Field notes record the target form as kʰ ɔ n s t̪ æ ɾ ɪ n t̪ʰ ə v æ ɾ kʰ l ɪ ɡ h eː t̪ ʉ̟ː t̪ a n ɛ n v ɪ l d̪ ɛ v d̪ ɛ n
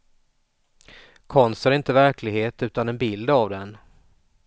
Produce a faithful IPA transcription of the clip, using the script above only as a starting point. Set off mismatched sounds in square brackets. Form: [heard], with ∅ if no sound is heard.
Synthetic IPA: kʰ ɔ n s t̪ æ ɾ ɪ n [t̪] ə v æ ɾ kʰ l ɪ ɡ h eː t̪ ʉ̟ː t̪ a n ɛ n [b] ɪ l d̪ [a] v d̪ ɛ n